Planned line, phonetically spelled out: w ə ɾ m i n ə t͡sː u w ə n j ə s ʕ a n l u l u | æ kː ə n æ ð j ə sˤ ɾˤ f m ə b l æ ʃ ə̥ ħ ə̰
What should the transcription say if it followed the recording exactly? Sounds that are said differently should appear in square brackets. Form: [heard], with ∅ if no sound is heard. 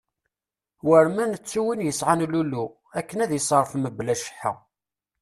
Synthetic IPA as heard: w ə ɾ m [æ] n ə t͡sː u w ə n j ə s ʕ a n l u l u | æ kː ə n æ ð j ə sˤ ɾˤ f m ə b l æ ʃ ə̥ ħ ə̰